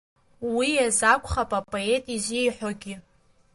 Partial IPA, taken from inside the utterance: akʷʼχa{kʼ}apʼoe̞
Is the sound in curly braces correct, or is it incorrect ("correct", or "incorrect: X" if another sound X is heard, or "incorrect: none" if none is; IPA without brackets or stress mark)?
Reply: incorrect: pʼ